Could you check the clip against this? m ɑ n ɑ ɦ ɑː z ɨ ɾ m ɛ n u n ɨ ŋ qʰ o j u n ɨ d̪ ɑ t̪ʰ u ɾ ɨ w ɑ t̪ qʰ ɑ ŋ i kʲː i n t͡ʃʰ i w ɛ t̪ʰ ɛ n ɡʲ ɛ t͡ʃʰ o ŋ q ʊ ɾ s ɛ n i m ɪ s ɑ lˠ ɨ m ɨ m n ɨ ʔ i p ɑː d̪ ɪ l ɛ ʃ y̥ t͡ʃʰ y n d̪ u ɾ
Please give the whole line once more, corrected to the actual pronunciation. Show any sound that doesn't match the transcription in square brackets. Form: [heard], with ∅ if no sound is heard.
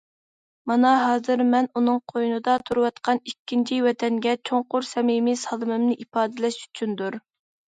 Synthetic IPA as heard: m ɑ n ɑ ɦ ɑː z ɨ ɾ m ɛ n u n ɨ ŋ qʰ o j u n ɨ d̪ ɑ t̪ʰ u ɾ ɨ w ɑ t̪ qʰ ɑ [n] i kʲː i n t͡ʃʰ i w ɛ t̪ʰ ɛ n ɡʲ ɛ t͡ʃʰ o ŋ q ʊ ɾ s ɛ [m] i m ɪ s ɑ lˠ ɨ m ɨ m n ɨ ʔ i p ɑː d̪ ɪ l ɛ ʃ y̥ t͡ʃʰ y n d̪ u ɾ